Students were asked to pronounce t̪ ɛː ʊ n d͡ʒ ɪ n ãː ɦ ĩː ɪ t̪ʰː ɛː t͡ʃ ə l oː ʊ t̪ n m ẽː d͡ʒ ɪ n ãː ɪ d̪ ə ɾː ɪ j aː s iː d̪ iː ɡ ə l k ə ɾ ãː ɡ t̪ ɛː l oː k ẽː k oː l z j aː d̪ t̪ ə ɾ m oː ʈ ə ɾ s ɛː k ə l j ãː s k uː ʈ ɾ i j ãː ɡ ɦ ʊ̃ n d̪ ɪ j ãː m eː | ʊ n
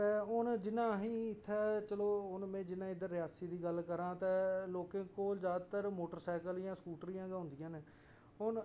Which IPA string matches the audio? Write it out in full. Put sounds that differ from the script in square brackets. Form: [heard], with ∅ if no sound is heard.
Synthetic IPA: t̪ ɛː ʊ n d͡ʒ ɪ n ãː ɦ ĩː ɪ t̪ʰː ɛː t͡ʃ ə l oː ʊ [∅] n m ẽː d͡ʒ ɪ n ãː ɪ d̪ ə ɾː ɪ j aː s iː d̪ iː ɡ ə l k ə ɾ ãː [∅] t̪ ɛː l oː k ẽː k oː l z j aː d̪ t̪ ə ɾ m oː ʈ ə ɾ s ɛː k ə l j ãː s k uː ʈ ɾ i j ãː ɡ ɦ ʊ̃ n d̪ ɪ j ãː [n] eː | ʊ n